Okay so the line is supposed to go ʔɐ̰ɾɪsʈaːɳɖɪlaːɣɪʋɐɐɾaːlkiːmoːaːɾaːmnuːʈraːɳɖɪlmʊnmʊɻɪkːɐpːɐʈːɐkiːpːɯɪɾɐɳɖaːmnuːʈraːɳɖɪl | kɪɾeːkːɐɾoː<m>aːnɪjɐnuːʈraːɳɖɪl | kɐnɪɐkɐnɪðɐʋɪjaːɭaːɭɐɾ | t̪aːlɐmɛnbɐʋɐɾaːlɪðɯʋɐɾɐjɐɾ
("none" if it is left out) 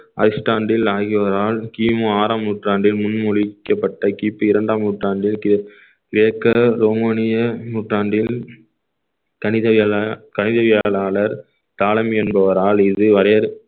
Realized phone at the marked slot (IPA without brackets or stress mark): m